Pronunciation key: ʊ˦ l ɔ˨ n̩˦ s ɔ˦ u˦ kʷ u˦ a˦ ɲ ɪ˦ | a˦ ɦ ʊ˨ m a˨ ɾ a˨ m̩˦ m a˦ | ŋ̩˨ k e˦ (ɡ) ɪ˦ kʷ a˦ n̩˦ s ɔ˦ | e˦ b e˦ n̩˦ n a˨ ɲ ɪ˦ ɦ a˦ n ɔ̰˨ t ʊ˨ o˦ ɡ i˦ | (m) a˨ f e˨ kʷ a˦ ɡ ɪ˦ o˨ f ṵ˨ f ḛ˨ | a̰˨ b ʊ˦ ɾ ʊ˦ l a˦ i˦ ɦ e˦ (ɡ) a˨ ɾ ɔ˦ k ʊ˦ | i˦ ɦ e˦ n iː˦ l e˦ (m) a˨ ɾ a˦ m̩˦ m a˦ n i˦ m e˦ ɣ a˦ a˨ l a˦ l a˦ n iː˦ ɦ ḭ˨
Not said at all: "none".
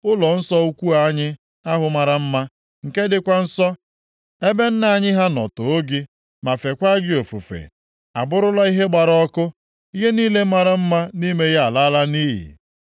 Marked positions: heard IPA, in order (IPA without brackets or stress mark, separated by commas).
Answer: d, m, ɡ͡b, m